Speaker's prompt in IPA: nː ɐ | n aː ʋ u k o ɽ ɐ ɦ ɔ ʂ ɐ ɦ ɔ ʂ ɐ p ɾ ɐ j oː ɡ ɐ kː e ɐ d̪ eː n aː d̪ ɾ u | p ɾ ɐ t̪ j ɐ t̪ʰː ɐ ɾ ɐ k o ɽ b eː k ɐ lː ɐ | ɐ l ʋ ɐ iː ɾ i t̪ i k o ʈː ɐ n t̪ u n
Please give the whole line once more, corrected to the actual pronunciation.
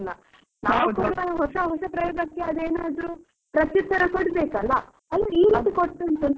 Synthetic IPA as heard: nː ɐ | n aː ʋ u k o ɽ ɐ ɦ ɔ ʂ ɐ ɦ ɔ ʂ ɐ p ɾ ɐ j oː ɡ ɐ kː e ɐ d̪ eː n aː d̪ ɾ u | p ɾ ɐ t̪ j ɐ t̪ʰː ɐ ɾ ɐ k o ɽ b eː k ɐ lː ɐ | ɐ l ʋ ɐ iː ɾ i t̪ i k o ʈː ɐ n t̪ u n